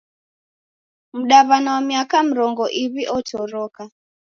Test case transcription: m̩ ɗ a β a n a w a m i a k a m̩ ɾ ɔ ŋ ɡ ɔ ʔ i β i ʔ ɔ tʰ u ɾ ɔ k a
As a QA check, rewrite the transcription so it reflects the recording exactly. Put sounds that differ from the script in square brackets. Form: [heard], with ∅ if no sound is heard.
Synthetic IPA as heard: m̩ ɗ a β a n a w a m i a k a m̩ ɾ ɔ ŋ ɡ ɔ ʔ i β i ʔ ɔ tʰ [ɔ] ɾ ɔ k a